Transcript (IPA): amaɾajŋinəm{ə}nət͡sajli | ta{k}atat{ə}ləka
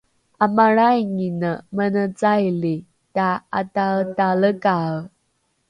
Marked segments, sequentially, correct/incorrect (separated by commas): correct, incorrect, incorrect